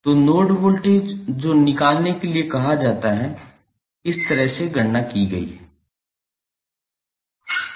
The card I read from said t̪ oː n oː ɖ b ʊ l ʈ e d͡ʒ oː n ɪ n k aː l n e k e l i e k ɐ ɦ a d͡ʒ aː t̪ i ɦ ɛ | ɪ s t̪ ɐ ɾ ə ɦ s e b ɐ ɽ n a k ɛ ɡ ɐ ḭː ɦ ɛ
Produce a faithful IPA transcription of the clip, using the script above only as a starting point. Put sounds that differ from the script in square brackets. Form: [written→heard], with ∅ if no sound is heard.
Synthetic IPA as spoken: t̪ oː n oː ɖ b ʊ l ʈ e d͡ʒ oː n ɪ [n→∅] k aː l n e k e l i e k ɐ ɦ a d͡ʒ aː t̪ [i→a] ɦ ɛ | ɪ s t̪ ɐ ɾ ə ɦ s e [b→ɡ] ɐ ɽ n a k [ɛ→i] ɡ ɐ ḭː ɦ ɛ